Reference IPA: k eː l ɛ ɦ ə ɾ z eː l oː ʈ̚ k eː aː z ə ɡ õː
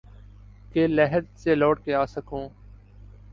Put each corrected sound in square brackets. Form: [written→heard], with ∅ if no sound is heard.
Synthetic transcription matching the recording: k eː l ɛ ɦ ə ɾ [z→s] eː l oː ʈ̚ k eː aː [z→s] ə [ɡ→k] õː